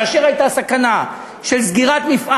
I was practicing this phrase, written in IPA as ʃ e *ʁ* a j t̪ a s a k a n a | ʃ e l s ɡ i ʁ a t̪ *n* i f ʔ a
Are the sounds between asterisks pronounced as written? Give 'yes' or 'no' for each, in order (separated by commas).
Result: yes, no